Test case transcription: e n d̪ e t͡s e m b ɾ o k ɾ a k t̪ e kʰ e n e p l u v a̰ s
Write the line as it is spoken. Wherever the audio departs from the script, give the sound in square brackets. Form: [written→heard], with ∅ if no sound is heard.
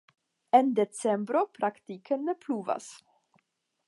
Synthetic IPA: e n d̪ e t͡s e m b ɾ o [k→p] ɾ a k t̪ [e→i] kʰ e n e p l u v a̰ s